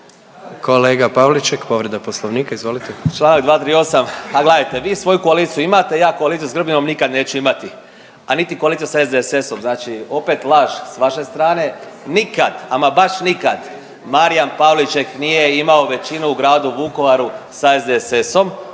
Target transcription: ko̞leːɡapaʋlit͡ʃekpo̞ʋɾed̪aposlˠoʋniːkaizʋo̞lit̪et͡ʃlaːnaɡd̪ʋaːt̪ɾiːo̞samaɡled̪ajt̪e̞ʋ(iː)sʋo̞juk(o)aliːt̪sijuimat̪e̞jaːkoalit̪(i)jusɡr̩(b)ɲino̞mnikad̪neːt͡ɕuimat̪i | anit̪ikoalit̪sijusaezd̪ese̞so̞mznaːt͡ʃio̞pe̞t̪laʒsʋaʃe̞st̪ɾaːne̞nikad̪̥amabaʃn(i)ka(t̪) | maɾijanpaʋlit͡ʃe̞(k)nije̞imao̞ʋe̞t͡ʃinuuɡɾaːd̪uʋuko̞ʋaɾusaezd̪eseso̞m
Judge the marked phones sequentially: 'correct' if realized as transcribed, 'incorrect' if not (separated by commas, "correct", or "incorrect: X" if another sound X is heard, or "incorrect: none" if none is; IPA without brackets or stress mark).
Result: correct, correct, correct, correct, correct, incorrect: d̪, correct